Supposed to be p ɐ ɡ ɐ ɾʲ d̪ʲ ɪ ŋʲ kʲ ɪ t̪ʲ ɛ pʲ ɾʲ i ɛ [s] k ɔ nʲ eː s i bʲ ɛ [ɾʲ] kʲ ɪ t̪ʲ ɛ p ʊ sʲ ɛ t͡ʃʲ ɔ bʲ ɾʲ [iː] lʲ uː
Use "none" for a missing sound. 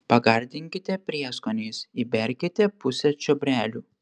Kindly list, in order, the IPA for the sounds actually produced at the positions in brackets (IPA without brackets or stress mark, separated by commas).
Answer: s, ɾʲ, æː